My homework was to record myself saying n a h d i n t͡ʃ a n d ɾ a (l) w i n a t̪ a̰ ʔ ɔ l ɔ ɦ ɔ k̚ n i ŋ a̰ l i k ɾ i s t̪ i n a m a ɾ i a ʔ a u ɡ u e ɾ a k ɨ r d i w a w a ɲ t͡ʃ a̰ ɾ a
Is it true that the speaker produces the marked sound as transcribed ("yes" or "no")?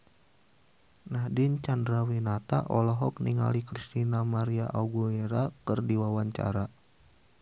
no